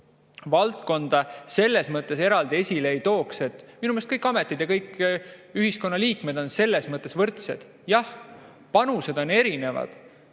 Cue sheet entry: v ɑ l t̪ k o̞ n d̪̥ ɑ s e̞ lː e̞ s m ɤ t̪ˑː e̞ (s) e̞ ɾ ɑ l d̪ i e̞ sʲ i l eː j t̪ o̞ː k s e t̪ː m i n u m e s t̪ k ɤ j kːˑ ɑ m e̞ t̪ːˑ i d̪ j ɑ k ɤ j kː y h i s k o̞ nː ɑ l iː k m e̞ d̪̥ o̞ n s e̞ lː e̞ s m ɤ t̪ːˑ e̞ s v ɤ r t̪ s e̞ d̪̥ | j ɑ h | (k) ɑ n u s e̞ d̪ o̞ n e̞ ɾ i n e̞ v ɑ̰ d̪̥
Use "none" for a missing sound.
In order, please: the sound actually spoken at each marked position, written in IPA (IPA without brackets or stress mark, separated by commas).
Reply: s, p